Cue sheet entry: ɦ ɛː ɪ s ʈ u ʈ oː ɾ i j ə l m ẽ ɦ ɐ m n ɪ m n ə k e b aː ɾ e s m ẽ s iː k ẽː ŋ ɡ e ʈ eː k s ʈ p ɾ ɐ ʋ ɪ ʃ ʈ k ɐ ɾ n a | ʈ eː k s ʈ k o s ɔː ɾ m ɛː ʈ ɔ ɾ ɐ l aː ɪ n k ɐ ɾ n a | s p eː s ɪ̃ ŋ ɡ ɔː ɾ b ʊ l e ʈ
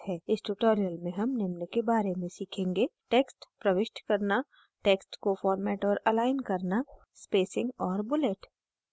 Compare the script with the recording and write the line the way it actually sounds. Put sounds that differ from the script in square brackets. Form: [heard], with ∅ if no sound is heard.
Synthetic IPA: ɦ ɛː ɪ s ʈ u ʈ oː ɾ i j ə l m ẽ ɦ ɐ m n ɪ m n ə k e b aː ɾ e [∅] m ẽ s iː [kʰ] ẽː ŋ ɡ e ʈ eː k s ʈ p ɾ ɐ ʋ ɪ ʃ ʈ k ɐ ɾ n a | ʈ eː k s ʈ k o [f] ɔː ɾ m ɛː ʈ [ɔː] ɾ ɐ l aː ɪ n k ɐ ɾ n a | s p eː s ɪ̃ ŋ ɡ ɔː ɾ b ʊ l e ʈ